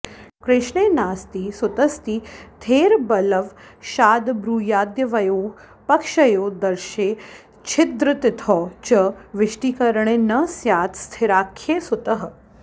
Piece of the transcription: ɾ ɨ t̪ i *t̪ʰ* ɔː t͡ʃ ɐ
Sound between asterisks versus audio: correct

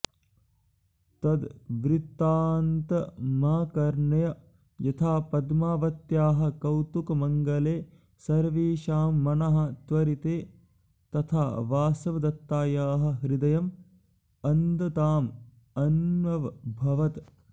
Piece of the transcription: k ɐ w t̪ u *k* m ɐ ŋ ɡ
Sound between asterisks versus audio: correct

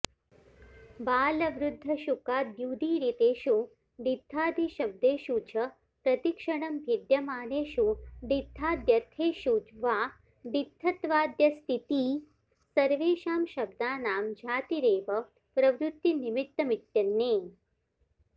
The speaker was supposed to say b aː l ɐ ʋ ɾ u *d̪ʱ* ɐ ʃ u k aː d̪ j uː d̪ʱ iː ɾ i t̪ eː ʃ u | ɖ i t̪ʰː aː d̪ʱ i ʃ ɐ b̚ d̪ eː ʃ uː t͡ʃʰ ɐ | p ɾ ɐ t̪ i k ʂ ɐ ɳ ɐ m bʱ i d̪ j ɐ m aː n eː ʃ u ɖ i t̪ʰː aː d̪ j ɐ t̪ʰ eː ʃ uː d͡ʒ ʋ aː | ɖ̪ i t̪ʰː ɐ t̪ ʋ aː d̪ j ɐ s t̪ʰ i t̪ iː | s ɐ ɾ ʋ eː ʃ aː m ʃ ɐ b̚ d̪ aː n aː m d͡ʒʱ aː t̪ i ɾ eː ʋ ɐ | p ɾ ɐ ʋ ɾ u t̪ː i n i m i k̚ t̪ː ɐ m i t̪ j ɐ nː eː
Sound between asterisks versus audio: incorrect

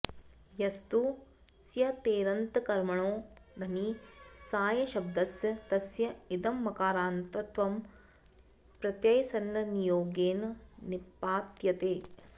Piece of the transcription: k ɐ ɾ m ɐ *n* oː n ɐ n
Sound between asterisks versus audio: incorrect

